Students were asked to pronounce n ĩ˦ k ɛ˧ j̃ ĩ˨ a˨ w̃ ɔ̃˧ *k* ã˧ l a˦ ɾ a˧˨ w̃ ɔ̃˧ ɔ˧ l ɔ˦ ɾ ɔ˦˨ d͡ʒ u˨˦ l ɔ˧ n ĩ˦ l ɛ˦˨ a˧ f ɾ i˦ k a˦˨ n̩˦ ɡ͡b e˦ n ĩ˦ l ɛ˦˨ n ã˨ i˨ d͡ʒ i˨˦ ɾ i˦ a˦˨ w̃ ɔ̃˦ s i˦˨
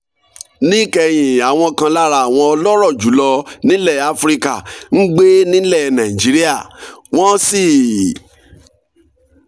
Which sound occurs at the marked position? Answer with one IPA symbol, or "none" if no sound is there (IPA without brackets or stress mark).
k